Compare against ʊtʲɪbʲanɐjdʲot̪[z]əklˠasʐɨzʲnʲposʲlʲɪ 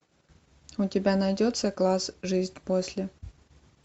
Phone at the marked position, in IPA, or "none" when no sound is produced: s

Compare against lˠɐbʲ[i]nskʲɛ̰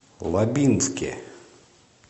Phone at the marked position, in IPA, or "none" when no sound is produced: i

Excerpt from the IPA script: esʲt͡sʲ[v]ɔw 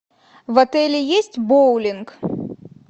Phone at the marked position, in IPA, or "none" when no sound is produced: b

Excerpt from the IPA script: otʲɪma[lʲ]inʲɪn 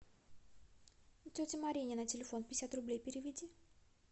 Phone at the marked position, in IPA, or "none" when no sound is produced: ɾʲ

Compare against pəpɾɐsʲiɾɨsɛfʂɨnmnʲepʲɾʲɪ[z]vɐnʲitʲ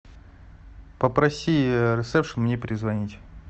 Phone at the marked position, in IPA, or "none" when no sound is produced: z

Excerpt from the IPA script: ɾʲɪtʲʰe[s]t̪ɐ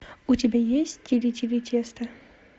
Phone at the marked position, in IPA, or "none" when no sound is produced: s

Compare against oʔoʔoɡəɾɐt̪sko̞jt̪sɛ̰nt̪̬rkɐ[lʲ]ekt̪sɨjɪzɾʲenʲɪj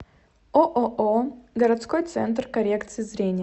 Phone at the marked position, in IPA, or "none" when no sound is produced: ɾʲ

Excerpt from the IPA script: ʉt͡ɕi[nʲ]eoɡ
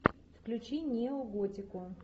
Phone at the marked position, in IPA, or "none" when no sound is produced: nʲ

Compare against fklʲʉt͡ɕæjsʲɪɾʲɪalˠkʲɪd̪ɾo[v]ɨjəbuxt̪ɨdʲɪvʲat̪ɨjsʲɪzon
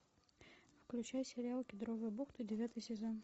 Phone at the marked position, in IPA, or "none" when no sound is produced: v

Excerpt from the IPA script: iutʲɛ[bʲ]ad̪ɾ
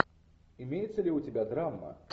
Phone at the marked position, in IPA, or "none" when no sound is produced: bʲ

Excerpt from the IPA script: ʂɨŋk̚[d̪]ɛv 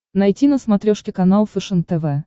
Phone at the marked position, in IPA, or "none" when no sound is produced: t̪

